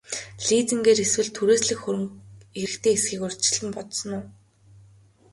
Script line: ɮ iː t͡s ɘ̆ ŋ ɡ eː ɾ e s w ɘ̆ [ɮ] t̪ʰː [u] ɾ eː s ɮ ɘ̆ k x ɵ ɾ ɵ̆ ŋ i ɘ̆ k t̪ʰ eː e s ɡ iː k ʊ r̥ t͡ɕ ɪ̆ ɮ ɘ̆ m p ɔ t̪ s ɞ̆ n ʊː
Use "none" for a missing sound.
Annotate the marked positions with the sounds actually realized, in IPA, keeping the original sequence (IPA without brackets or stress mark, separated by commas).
ɮ, u